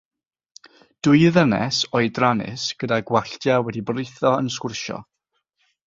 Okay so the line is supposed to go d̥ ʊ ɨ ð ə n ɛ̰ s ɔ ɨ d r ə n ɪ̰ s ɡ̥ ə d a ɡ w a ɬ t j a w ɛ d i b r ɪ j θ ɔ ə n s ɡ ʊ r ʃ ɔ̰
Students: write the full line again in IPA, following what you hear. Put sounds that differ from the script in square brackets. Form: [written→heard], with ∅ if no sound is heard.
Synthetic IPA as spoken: d̥ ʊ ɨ ð ə n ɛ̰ s ɔ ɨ d r [ə→a] n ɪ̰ s ɡ̥ ə d a ɡ w a ɬ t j a w ɛ d i b r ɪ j θ ɔ ə n s [ɡ→k] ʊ r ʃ ɔ̰

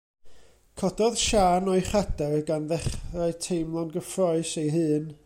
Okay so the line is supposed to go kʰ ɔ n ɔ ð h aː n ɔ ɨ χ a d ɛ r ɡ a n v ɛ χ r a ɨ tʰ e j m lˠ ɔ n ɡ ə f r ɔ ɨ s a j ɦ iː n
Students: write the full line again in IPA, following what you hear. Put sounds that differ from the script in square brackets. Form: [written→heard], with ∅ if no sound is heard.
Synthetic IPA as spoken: kʰ ɔ [n→d] ɔ ð [h→ʃ] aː n ɔ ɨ χ a d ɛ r ɡ a n [v→ð] ɛ χ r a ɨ tʰ e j m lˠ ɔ n ɡ ə f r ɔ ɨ s [a→e] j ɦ [iː→ɨː] n

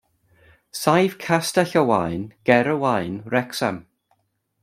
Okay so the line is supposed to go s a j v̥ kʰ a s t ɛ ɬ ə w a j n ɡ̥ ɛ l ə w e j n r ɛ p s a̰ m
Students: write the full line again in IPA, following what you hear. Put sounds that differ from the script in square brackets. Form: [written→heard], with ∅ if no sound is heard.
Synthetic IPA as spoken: s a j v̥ kʰ a s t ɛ ɬ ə w a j n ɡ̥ ɛ [l→ɾ] ə w [e→a] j n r ɛ [p→k] s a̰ m

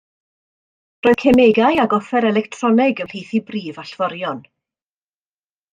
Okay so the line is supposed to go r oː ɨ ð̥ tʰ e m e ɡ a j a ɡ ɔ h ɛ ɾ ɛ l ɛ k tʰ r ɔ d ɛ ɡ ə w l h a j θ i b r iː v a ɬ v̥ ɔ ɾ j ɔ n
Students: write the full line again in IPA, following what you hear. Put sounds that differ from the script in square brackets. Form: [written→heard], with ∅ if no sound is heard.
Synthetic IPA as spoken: r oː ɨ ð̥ [tʰ→kʰ] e m e ɡ a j a ɡ ɔ [h→f] ɛ ɾ ɛ l ɛ k tʰ r ɔ [d→n] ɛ ɡ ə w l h [a→e] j θ i b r iː v a ɬ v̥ ɔ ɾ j ɔ n

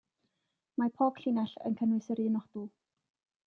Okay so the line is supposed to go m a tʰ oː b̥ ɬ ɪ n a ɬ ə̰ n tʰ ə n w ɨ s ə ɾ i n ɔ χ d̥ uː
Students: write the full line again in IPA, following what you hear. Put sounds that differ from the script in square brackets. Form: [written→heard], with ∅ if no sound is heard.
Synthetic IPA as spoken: m a [tʰ→pʰ] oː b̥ ɬ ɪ n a ɬ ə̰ n [tʰ→kʰ] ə n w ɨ s ə ɾ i n ɔ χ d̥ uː

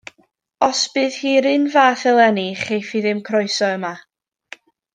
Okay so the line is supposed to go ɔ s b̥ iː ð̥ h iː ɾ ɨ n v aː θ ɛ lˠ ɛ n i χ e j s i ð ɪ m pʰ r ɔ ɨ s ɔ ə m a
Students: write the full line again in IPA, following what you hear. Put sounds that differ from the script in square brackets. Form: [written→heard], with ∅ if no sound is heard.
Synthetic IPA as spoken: ɔ s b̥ [iː→ɨː] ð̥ h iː ɾ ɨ n v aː θ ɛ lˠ ɛ n i χ e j [s→f] i ð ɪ m [pʰ→kʰ] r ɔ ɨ s ɔ ə m a

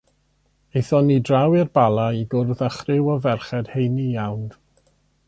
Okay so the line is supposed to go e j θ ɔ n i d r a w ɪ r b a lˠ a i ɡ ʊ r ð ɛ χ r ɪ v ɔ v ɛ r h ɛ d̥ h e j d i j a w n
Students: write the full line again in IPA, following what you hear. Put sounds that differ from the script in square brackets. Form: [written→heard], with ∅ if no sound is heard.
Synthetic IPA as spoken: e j θ ɔ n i d r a w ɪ r b a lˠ a i ɡ ʊ r ð [ɛ→a] χ r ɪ [v→w] ɔ v ɛ r [h→χ] ɛ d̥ h e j [d→n] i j a w n

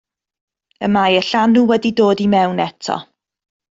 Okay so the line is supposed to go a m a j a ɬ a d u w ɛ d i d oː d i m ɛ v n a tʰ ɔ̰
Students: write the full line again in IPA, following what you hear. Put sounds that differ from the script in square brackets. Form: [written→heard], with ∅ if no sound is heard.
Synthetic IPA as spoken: [a→ə] m a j [a→ə] ɬ a [d→n] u w ɛ d i d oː d i m ɛ [v→w] n [a→ɛ] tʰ ɔ̰

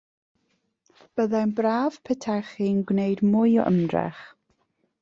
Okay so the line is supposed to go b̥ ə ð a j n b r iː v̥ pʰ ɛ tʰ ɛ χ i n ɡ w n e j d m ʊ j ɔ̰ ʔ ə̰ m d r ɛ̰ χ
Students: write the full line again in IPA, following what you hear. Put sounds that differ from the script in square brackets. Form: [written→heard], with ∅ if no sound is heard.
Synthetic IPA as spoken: b̥ ə ð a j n b r [iː→aː] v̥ pʰ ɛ tʰ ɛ χ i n ɡ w n e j d m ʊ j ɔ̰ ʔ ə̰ m d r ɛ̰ χ

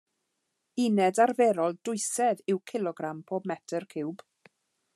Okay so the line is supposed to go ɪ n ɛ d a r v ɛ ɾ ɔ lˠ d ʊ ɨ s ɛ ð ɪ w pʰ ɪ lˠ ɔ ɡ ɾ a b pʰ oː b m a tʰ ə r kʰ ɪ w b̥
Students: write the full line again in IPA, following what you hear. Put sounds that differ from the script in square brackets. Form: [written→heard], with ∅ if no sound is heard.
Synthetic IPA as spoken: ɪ n ɛ d a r v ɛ ɾ ɔ lˠ d ʊ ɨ s ɛ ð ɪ w [pʰ→kʰ] ɪ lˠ ɔ ɡ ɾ a [b→m] pʰ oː b m [a→ɛ] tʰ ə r kʰ ɪ w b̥

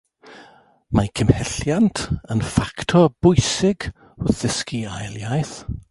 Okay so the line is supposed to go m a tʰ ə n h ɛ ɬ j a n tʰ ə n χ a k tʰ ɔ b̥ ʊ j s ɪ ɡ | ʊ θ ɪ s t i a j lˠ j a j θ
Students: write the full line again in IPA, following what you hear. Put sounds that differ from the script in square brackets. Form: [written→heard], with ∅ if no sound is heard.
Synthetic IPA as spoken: m a [tʰ→kʰ] ə [n→m] h ɛ ɬ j a n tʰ ə n [χ→f] a k tʰ ɔ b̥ ʊ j s ɪ ɡ | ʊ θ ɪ s [t→k] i a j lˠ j a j θ

